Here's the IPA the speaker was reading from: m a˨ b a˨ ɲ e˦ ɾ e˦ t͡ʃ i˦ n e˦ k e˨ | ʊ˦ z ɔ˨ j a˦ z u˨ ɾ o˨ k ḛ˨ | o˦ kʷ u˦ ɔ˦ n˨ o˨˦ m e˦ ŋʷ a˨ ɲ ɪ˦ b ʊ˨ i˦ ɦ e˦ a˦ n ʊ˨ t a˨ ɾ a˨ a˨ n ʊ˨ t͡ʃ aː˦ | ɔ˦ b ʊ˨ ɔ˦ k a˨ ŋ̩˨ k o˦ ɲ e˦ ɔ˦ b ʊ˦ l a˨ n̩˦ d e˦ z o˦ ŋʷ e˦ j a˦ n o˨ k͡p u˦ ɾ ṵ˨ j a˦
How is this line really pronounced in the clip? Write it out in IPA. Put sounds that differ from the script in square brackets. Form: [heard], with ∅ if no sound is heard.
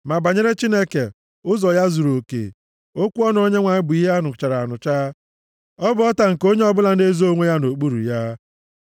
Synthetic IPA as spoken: m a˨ b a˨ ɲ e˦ ɾ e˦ t͡ʃ i˦ n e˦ k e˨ | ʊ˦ z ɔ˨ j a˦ z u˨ ɾ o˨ k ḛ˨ | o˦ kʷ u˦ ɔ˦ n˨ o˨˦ [ɲ] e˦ ŋʷ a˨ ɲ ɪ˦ b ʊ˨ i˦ ɦ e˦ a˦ n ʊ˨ [t͡ʃ] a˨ ɾ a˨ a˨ n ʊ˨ t͡ʃ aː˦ | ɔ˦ b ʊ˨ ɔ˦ [t] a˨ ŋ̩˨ k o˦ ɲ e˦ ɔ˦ b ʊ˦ l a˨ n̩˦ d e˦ z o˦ ŋʷ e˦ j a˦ n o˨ k͡p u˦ ɾ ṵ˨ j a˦